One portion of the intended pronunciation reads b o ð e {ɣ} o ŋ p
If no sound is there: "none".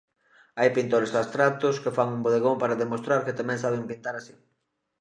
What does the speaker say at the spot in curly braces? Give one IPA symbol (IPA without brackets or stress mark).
ɣ